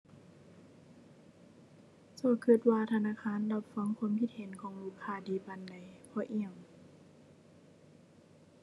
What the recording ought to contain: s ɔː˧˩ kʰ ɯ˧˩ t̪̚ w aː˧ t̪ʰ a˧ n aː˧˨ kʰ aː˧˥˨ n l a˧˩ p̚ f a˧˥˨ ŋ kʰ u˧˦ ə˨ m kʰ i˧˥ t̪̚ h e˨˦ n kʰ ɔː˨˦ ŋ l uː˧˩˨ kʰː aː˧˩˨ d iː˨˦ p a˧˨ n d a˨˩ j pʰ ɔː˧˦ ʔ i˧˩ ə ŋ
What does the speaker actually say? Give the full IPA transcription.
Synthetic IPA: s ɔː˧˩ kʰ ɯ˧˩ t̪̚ w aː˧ t̪ʰ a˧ n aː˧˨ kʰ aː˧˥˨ n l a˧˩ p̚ f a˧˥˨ ŋ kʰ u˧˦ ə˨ m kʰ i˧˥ t̪̚ h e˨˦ n kʰ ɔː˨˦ ŋ l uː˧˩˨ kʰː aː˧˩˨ d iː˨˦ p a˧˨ n d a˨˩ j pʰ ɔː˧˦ ʔ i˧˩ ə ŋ